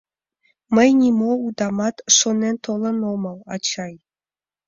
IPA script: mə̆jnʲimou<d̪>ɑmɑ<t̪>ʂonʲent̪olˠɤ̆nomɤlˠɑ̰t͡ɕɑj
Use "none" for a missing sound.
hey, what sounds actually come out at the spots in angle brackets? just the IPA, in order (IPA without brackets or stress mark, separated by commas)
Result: d̪, t̪